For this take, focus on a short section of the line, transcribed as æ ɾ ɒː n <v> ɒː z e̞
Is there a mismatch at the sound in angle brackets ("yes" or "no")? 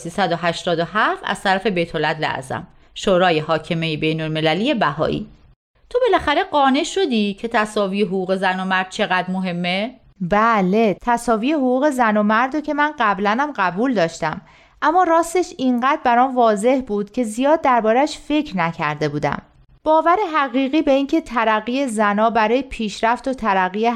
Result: no